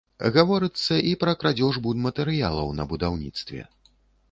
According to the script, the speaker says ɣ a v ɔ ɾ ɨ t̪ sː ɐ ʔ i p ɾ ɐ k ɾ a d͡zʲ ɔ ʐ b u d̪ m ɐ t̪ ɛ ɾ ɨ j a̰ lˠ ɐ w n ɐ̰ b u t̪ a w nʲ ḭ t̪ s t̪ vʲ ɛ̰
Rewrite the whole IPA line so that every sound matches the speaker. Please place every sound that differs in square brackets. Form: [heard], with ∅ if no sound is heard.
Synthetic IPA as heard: ɣ a v ɔ ɾ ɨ t̪ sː ɐ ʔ i p ɾ ɐ k ɾ a d͡zʲ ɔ ʐ b u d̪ m ɐ t̪ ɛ ɾ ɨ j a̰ lˠ ɐ w n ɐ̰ b u [d̪] a w nʲ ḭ t̪ s t̪ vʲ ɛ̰